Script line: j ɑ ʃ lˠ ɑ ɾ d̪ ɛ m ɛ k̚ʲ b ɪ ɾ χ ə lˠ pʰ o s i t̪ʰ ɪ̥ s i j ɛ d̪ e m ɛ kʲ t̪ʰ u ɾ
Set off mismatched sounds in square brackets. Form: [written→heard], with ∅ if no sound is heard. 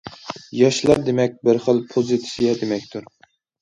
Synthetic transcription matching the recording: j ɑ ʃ lˠ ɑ ɾ d̪ [ɛ→e] m ɛ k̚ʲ b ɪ ɾ χ ə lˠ pʰ o [s→z] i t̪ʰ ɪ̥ s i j ɛ d̪ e m ɛ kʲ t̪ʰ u ɾ

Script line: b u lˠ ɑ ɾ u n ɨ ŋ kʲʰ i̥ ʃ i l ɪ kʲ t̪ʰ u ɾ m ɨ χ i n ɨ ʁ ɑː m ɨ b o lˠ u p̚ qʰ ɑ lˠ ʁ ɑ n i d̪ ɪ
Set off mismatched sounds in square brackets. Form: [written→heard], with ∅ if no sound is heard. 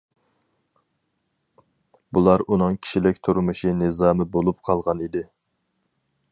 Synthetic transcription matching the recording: b u lˠ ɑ ɾ u n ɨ ŋ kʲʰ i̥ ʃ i l ɪ kʲ t̪ʰ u ɾ m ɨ [χ→ʃ] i n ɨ [ʁ→z] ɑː m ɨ b o lˠ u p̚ qʰ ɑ lˠ ʁ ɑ n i d̪ ɪ

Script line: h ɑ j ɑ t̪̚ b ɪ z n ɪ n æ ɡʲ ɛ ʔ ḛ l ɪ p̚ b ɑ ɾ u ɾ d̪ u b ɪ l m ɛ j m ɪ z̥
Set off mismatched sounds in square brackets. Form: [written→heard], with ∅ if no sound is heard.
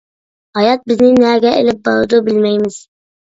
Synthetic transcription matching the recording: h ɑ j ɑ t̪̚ b ɪ z n ɪ n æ ɡʲ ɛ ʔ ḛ l ɪ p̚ b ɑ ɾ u [ɾ→∅] d̪ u b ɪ l m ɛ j m ɪ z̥

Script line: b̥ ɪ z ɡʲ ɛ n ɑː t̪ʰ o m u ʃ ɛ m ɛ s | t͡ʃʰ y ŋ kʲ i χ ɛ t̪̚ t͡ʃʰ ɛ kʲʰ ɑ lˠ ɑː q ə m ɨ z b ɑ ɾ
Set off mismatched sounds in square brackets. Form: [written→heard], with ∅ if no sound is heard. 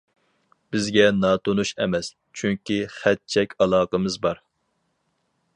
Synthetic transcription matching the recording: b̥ ɪ z ɡʲ ɛ n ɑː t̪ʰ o [m→n] u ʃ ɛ m ɛ s | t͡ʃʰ y ŋ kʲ i χ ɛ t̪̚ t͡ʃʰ ɛ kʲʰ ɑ lˠ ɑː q ə m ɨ z b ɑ ɾ

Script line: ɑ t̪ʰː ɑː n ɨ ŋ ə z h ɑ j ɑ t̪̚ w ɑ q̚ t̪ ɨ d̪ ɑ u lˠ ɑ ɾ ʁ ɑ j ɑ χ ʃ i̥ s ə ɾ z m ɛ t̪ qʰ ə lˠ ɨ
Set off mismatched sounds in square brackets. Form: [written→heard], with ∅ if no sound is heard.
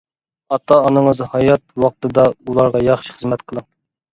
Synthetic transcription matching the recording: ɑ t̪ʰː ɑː n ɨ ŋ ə z h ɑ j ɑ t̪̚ w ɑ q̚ t̪ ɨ d̪ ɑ u lˠ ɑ ɾ ʁ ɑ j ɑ χ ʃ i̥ [s→χ] ə [ɾ→∅] z m ɛ t̪ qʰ ə lˠ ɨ

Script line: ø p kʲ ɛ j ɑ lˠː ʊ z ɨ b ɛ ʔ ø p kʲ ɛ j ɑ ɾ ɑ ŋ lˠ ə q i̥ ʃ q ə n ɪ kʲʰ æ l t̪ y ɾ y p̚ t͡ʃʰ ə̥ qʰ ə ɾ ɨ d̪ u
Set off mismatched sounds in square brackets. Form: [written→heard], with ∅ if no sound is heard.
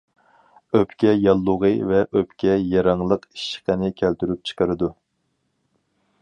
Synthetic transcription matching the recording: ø p kʲ ɛ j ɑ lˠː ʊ [z→ʁ] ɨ [b→v] ɛ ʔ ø p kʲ ɛ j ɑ ɾ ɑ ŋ lˠ ə q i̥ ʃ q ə n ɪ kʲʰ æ l t̪ y ɾ y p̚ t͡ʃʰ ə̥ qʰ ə ɾ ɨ d̪ u

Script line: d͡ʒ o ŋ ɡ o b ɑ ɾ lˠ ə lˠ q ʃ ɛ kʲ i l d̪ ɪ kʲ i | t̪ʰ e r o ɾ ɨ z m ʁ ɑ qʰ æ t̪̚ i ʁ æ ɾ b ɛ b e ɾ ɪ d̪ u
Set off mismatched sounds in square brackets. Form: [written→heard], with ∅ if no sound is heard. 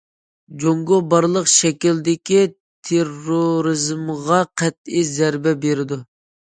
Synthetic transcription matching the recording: d͡ʒ o ŋ ɡ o b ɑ ɾ lˠ ə [lˠ→∅] q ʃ ɛ kʲ i l d̪ ɪ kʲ i | t̪ʰ e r o ɾ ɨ z m ʁ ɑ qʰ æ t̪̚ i [ʁ→z] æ ɾ b ɛ b e ɾ ɪ d̪ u

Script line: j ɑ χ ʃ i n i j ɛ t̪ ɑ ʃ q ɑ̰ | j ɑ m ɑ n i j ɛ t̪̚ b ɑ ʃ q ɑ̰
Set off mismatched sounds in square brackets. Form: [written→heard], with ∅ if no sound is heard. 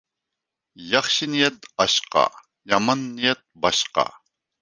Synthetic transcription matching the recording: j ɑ χ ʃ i n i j ɛ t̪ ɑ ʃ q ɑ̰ | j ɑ m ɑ [n→nː] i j ɛ t̪̚ b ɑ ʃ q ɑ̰

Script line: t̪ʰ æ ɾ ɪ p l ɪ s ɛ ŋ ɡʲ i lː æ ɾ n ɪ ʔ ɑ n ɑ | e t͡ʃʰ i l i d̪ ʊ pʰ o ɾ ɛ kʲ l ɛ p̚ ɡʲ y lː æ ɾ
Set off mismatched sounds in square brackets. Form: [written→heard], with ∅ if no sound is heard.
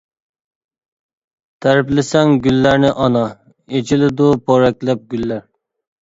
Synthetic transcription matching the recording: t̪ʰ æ ɾ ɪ p l ɪ s ɛ ŋ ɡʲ [i→y] lː æ ɾ n ɪ ʔ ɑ n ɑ | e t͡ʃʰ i l [i→ɪ] d̪ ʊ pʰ o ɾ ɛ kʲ l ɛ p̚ ɡʲ y lː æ ɾ

